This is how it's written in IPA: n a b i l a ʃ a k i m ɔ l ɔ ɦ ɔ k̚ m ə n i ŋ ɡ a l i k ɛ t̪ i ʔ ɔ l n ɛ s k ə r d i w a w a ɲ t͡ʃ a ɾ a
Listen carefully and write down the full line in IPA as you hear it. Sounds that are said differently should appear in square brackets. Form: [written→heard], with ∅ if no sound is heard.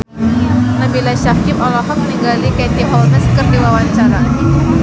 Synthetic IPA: n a b i l a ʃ a k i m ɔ l ɔ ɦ ɔ k̚ m ə n i ŋ ɡ a l i k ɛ t̪ i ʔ ɔ l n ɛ s k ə r d i w a w a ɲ t͡ʃ a ɾ a